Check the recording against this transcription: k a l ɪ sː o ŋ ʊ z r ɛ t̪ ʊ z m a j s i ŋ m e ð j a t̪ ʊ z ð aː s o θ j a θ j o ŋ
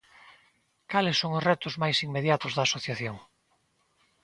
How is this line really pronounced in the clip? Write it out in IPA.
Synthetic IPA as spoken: k a l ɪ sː o ŋ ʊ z r ɛ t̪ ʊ z m a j s i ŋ m e ð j a t̪ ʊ z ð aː s o θ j a θ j o ŋ